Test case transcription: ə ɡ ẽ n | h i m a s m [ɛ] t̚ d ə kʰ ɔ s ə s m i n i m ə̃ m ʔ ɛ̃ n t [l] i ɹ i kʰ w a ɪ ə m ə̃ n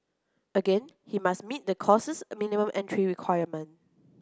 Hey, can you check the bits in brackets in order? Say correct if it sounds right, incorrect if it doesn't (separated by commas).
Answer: incorrect, incorrect